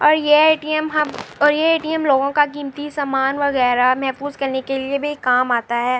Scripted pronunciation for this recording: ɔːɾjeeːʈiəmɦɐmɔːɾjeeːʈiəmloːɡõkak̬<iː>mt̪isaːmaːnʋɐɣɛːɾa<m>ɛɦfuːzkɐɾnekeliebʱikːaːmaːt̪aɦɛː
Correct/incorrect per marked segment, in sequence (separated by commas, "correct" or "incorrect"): correct, correct